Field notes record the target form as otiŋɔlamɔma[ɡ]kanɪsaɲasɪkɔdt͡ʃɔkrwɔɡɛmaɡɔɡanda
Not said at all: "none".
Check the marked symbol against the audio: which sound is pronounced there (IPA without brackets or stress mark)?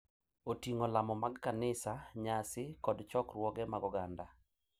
ɡ